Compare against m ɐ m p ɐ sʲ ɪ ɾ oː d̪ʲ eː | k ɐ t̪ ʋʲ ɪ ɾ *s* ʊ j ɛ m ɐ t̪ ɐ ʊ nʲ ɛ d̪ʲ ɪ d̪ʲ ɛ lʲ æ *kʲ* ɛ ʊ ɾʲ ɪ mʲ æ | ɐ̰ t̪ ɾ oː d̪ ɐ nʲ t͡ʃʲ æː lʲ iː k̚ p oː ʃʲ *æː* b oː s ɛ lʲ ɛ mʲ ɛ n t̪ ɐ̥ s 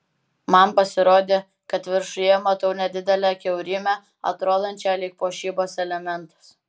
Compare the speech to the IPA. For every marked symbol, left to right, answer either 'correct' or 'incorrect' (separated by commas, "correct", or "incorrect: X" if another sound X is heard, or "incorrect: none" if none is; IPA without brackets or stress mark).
incorrect: ʃ, correct, incorrect: iː